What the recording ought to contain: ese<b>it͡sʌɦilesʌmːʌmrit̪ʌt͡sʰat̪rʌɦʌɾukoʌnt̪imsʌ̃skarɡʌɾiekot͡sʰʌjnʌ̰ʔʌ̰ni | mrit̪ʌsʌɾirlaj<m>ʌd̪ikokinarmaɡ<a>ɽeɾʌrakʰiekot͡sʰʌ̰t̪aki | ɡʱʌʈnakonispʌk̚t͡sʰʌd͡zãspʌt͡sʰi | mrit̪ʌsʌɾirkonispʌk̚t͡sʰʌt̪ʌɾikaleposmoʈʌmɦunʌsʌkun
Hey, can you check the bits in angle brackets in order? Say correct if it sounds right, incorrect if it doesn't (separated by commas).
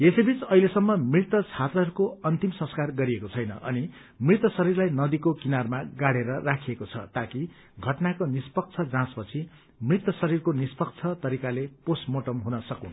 correct, incorrect, correct